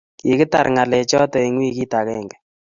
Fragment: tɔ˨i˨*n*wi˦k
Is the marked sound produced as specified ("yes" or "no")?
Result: no